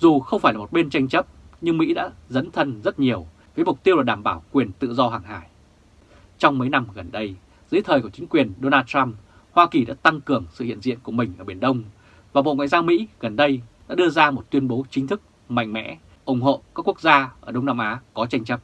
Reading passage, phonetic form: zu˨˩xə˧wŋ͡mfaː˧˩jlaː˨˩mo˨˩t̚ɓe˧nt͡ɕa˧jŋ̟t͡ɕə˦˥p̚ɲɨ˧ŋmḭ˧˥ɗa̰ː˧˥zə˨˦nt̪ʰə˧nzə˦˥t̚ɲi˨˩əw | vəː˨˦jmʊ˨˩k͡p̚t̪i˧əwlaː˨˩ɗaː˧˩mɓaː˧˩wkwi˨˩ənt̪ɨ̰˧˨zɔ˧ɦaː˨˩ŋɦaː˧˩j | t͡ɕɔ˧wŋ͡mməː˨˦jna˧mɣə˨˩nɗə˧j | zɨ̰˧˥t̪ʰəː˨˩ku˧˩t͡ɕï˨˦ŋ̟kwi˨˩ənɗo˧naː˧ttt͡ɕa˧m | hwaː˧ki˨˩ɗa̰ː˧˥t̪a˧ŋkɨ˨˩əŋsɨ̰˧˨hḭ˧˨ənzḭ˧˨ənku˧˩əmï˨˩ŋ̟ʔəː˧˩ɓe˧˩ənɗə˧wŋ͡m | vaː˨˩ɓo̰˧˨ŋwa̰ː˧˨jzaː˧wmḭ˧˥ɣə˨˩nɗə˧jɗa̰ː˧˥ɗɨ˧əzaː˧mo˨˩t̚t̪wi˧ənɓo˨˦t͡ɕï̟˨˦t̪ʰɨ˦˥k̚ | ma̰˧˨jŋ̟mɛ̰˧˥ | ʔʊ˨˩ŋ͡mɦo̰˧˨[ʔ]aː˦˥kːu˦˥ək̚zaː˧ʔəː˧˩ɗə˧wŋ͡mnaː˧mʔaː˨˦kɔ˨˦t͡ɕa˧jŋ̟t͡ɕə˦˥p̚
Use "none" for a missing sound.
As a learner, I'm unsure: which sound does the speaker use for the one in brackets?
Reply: k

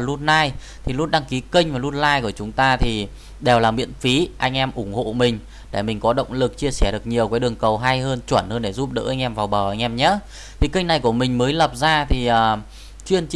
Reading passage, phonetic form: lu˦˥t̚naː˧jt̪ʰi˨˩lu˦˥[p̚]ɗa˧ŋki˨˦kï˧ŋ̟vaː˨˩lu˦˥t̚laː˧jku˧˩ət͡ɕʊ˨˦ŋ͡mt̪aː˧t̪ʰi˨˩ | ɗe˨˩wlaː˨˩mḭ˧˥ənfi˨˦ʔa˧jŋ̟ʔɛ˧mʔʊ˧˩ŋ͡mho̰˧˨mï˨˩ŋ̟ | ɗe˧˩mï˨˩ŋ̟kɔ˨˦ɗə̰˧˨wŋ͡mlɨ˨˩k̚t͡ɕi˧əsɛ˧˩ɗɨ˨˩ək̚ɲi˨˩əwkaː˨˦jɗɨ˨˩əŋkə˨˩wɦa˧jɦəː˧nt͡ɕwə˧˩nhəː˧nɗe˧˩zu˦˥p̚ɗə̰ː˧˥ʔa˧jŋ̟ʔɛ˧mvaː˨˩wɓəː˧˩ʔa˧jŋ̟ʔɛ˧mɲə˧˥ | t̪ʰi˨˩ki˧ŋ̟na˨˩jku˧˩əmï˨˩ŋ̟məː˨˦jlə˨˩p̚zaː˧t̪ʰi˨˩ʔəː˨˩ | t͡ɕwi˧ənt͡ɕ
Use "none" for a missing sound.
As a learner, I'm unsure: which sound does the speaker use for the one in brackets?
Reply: t̚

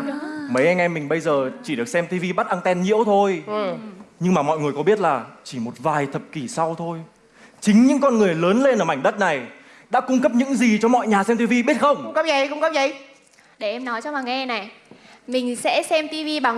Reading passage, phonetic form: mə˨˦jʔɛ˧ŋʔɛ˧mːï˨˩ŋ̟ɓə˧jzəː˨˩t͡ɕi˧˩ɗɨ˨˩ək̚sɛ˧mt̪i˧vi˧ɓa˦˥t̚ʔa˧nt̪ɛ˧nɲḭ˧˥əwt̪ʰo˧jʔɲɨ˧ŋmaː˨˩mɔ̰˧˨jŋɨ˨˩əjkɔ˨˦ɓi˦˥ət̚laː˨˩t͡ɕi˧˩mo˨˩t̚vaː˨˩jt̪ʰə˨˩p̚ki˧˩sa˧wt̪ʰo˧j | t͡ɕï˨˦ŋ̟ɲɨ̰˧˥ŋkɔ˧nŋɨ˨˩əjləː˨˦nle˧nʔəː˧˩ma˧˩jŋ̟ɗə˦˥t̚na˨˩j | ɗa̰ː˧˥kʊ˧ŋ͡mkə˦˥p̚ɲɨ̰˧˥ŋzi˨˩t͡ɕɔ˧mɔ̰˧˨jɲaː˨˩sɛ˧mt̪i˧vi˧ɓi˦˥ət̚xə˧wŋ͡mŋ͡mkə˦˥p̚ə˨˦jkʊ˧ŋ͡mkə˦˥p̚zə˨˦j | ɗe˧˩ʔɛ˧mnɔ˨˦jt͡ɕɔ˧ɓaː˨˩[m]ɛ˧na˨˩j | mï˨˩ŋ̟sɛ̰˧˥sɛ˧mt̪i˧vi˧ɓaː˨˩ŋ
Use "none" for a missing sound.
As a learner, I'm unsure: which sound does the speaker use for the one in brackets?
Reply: ŋ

